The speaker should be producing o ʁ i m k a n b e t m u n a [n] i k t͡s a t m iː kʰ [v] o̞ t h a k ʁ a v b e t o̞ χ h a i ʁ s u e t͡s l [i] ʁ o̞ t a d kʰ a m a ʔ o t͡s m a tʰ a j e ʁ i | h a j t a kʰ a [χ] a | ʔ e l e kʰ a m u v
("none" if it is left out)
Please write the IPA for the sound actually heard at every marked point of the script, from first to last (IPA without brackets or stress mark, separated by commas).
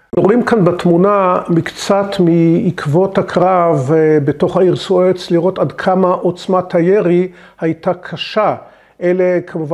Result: m, v, i, ʃ